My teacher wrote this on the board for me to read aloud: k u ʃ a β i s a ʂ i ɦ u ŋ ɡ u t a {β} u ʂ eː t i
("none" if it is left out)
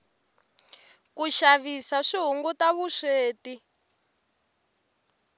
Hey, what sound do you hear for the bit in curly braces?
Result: β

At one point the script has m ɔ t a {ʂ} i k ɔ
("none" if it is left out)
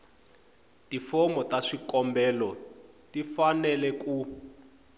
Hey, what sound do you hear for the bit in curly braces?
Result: ʂ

